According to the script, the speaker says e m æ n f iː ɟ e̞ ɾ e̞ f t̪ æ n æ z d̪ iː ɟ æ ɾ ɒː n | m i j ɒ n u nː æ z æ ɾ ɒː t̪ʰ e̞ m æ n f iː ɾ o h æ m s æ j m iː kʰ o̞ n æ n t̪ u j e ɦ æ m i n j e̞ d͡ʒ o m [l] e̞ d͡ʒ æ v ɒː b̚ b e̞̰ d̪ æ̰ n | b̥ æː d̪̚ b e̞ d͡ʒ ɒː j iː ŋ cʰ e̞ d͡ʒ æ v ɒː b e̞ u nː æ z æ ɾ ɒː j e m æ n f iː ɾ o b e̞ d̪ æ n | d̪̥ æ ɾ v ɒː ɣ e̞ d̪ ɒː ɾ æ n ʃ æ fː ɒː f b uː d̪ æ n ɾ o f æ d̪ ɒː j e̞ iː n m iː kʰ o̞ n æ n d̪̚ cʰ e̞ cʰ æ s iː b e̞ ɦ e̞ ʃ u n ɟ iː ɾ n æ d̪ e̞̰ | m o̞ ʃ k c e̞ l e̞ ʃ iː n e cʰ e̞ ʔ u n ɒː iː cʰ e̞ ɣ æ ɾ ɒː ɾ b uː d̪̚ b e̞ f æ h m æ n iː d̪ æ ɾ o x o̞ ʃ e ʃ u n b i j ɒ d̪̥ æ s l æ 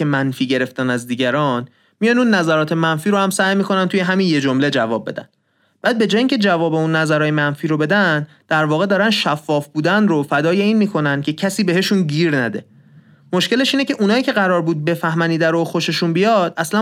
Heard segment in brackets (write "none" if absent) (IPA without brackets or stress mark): l